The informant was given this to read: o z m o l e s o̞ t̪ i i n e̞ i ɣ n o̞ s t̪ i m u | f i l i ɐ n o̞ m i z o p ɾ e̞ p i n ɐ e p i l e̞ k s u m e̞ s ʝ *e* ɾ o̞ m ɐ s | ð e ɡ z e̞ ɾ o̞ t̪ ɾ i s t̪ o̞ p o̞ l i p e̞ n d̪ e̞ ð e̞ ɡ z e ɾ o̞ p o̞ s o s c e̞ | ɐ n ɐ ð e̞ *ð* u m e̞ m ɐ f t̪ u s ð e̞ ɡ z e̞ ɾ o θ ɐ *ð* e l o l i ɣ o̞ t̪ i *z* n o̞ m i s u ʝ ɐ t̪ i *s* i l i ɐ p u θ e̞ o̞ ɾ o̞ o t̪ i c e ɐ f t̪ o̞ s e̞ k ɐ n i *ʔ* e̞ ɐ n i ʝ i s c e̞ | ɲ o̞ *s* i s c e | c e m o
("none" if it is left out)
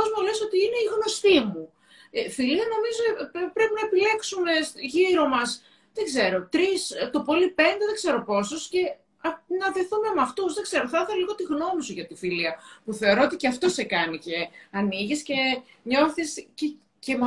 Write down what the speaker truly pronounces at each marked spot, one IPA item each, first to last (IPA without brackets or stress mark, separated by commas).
i, θ, θ, ɣ, f, c, θ